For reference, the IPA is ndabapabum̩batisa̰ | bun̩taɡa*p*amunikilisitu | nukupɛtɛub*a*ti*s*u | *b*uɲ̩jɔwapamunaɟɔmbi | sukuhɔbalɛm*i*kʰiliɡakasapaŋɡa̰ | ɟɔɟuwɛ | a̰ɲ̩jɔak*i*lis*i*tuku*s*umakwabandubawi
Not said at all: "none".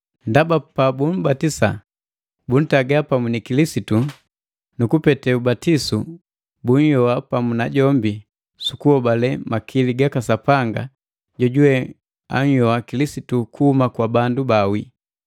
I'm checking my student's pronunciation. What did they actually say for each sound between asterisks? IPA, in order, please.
p, a, s, b, a, i, i, h

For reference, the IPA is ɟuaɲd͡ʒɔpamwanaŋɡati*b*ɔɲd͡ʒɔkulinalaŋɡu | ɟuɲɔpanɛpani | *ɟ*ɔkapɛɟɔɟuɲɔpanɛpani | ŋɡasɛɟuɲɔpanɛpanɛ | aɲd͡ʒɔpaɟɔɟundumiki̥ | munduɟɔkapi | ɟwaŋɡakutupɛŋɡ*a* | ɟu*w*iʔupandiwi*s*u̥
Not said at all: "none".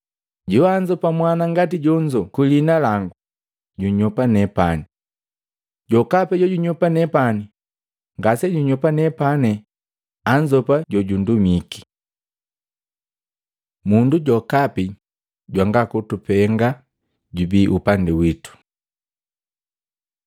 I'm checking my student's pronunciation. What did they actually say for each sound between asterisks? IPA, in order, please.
ɟ, ɟ, a, b, t

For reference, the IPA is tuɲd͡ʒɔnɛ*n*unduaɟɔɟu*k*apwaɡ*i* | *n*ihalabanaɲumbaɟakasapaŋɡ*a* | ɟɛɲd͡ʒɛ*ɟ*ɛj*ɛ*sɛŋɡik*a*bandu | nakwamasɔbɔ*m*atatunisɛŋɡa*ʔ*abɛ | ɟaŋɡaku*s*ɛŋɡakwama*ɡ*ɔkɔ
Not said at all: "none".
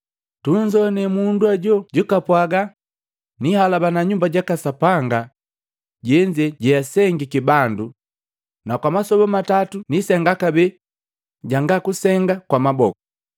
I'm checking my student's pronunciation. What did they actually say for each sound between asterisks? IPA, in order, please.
m, k, a, n, a, ɟ, a, i, m, k, s, b

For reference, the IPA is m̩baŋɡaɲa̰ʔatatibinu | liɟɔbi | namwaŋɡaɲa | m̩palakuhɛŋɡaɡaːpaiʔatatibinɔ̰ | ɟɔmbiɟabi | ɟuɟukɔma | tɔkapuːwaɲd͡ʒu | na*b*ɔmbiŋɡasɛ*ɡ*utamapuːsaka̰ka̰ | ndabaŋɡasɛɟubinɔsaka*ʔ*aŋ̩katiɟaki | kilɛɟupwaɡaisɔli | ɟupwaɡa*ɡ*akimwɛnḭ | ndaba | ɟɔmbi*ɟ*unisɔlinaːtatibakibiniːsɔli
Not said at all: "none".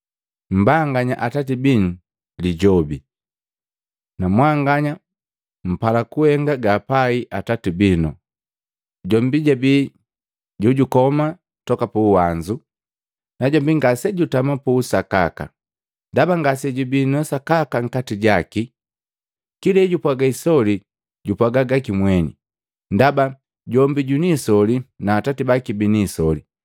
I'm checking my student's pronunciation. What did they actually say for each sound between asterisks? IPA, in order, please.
ɟ, ɟ, k, ɡ, ɟ

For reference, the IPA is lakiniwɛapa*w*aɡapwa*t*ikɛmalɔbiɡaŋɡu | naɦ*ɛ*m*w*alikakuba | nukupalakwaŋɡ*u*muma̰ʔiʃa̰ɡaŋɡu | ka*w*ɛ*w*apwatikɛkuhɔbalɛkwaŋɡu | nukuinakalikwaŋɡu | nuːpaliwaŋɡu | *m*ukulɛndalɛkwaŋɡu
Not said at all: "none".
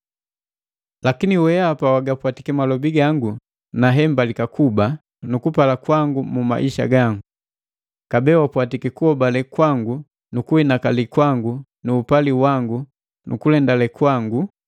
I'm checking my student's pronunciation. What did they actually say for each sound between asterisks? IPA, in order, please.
w, t, ɛ, b, u, b, w, n

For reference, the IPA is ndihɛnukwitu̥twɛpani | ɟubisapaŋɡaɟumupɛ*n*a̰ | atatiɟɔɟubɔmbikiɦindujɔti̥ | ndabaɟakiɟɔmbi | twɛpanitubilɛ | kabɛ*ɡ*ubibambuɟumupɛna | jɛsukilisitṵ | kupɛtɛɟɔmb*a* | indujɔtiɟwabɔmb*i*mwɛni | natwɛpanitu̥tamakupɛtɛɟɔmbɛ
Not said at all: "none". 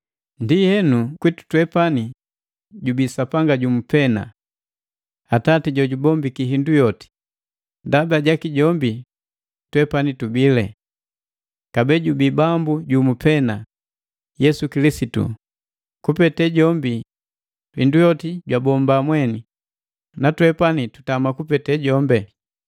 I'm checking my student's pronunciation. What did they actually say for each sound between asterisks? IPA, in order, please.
n, ɟ, i, a

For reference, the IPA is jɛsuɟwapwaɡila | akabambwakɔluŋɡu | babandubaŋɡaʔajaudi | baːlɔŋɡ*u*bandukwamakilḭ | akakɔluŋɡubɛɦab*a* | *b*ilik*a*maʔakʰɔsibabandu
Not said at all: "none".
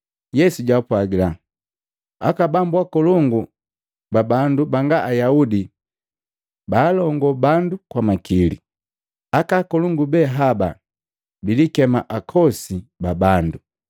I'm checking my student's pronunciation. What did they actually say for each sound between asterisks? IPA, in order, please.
ɔ, a, b, ɛ

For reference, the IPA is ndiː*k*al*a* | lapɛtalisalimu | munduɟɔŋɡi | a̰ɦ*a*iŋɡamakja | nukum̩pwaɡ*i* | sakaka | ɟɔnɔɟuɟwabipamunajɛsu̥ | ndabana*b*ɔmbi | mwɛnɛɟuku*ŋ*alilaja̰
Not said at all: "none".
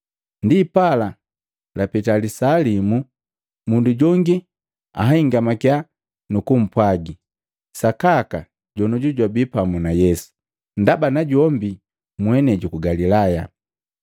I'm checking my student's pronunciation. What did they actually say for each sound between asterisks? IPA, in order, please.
p, a, a, i, ɟ, ɡ

